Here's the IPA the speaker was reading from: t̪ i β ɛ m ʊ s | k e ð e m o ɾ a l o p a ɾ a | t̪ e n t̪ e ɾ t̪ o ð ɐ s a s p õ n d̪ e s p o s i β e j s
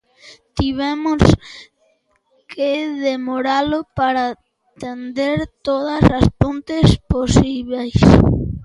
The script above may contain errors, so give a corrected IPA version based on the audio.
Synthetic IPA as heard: t̪ i β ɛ m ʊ s | k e ð e m o ɾ a l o p a ɾ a | t̪ e n d̪ e ɾ t̪ o ð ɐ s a s p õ n t̪ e s p o s i β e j s